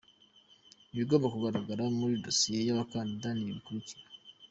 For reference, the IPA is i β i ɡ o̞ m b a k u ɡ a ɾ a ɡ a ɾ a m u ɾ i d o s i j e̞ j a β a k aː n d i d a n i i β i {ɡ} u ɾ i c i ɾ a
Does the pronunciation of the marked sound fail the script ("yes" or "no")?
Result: yes